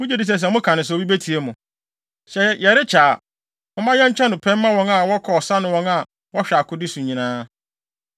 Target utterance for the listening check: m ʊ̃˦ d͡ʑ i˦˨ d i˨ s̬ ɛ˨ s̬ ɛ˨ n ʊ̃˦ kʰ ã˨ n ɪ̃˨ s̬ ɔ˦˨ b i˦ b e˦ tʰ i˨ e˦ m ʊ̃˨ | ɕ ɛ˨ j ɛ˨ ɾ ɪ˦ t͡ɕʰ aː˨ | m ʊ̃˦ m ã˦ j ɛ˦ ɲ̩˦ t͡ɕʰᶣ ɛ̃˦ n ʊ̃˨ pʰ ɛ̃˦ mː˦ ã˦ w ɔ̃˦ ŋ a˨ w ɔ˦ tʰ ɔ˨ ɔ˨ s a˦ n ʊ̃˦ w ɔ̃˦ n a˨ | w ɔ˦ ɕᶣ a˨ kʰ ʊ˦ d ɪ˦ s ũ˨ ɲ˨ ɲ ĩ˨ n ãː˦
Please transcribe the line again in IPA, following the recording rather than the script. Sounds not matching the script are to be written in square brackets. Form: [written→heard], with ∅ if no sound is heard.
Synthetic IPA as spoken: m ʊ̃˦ d͡ʑ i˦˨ d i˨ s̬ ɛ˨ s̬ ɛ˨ [n→m] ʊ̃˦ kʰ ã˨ n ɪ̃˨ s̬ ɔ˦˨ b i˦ b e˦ tʰ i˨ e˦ m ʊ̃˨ | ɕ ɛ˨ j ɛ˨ ɾ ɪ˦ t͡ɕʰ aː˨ | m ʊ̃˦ m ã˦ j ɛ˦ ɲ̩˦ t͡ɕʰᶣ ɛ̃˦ n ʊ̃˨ pʰ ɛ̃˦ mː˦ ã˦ w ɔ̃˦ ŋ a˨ w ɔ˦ [tʰ→kʰ] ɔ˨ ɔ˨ s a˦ n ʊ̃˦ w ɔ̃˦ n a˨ | w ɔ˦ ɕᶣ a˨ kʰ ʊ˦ d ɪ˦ s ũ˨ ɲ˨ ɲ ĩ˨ n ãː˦